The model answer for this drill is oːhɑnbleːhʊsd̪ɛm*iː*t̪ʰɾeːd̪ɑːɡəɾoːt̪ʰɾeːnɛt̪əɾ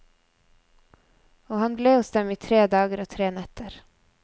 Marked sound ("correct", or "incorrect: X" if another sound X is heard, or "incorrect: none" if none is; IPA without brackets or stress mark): correct